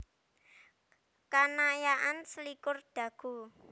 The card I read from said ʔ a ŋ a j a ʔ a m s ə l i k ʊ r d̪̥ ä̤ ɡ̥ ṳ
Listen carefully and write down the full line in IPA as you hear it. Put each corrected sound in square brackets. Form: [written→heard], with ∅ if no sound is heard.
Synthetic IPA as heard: [ʔ→k] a [ŋ→n] a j a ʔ a [m→n] s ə l i k ʊ r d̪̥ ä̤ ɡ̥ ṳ